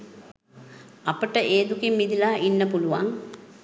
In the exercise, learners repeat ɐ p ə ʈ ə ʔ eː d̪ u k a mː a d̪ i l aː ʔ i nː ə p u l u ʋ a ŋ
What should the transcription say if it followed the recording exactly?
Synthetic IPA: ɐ p ə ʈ ə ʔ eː d̪ u k i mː i d̪ i l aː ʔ i nː ə p u l u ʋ a ŋ